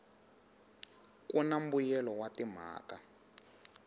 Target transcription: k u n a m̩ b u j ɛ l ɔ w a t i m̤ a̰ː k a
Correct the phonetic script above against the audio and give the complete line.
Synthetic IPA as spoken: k u n a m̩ b u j ɛ l ɔ w a t i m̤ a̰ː k a